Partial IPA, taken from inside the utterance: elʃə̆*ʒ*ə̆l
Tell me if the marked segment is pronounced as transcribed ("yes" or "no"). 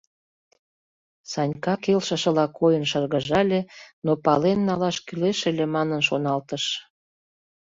no